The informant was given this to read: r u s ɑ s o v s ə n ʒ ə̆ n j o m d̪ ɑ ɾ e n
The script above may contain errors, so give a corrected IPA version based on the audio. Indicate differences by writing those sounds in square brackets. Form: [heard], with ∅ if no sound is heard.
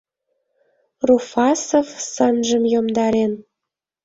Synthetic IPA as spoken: r u [f] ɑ s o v s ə n ʒ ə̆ [m] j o m d̪ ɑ ɾ e n